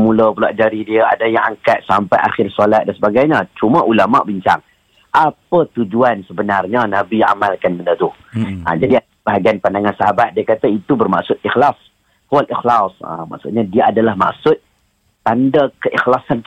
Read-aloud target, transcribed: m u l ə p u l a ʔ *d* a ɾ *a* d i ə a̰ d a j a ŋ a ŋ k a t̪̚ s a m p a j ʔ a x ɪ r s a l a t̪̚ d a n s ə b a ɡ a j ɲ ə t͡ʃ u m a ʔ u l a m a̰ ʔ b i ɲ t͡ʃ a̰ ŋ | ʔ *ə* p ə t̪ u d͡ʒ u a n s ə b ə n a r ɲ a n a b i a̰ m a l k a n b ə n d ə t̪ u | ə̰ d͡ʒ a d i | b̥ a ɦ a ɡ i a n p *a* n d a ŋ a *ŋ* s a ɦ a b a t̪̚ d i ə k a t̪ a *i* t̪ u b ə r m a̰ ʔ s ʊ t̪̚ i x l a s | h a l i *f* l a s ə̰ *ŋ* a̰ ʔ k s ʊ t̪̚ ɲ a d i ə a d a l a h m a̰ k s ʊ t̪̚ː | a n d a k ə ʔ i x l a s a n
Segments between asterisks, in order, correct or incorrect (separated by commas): incorrect, incorrect, incorrect, correct, incorrect, correct, incorrect, incorrect